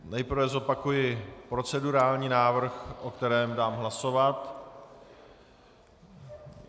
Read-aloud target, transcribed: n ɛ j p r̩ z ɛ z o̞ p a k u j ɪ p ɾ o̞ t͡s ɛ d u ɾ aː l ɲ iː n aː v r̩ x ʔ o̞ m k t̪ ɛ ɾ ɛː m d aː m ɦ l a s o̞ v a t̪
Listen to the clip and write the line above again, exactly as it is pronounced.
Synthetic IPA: n ɛ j p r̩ v ɛ z o̞ p a k u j ɪ p ɾ o̞ t͡s ɛ d u ɾ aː l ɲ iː n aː v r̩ x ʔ o̞ k t̪ ɛ ɾ ɛː m d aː m ɦ l a s o̞ v a t̪